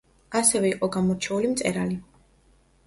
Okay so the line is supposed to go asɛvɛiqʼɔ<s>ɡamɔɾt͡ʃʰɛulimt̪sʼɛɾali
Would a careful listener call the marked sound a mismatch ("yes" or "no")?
yes